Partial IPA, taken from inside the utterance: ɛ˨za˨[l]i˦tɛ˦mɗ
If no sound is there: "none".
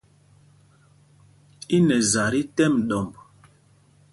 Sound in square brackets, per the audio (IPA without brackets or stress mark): ɾ